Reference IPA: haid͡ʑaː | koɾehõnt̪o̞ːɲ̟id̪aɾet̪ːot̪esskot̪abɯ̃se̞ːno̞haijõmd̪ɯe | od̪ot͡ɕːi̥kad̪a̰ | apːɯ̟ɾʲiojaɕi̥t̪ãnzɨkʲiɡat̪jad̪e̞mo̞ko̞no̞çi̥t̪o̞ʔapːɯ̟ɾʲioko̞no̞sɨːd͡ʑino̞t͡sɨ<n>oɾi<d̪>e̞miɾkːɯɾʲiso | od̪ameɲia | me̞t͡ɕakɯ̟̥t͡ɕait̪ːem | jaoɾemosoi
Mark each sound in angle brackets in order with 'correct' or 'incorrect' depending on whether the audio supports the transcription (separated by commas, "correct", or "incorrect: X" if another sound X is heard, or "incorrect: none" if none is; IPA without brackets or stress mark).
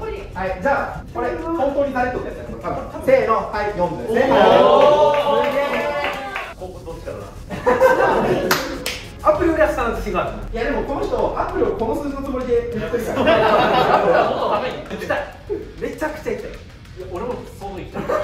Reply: incorrect: m, correct